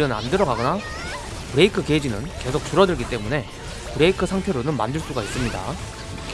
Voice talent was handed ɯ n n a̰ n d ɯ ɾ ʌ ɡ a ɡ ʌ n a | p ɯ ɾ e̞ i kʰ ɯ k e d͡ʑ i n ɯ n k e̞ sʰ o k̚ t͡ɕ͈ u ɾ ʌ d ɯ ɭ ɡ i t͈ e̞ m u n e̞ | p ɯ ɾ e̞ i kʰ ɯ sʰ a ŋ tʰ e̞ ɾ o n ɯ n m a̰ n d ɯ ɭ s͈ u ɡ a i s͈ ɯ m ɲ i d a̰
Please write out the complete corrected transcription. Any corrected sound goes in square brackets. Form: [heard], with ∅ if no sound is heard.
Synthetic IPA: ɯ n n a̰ n d ɯ ɾ ʌ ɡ a ɡ ʌ n a | p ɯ ɾ e̞ i kʰ ɯ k e d͡ʑ i n ɯ n k e̞ sʰ o k̚ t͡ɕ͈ u ɾ ʌ d ɯ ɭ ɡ i t͈ e̞ m u n e̞ | p ɯ ɾ e̞ i kʰ ɯ sʰ a ŋ tʰ e̞ ɾ o n ɯ n m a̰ n d ɯ ɭ s͈ u ɡ a i s͈ ɯ m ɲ i d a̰